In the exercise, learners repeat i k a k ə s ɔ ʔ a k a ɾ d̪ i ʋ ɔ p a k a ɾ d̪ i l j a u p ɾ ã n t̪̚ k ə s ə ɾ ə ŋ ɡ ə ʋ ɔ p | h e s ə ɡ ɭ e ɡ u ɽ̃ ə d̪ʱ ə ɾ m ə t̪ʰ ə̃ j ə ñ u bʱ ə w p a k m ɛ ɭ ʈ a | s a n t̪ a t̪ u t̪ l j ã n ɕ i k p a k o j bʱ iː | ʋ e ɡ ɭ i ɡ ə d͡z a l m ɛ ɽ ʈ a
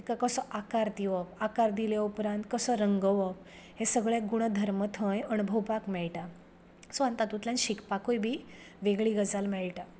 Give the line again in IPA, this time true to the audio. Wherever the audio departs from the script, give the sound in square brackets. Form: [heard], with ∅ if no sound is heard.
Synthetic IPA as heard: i k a k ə s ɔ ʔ a k a ɾ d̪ i ʋ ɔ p a k a ɾ d̪ i l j a u p ɾ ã n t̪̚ k ə s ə ɾ ə ŋ ɡ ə ʋ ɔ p | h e s ə ɡ ɭ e ɡ u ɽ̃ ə d̪ʱ ə ɾ m ə t̪ʰ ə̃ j ə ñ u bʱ ə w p a k m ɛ ɭ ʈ a | s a n t̪ a t̪ u t̪ l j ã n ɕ i k p a k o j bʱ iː | ʋ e ɡ ɭ i ɡ ə d͡z a l m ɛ [ɭ] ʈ a